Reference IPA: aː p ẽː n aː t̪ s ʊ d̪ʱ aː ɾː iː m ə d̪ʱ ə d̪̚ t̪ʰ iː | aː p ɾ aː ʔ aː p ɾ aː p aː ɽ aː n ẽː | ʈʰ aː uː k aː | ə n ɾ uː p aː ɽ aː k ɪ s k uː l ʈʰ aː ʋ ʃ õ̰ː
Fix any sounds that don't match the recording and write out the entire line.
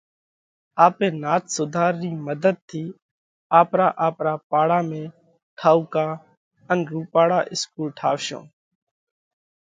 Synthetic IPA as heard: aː p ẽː n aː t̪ s ʊ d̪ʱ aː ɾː iː m ə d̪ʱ ə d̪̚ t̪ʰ iː | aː p ɾ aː ʔ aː p ɾ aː p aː ɽ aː m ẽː | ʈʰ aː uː k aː | ə n ɾ uː p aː ɽ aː ʔ ɪ s k uː l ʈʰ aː ʋ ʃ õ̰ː